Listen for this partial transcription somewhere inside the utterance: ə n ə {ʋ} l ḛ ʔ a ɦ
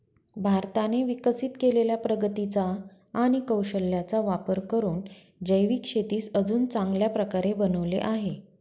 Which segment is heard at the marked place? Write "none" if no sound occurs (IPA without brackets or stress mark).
ʋ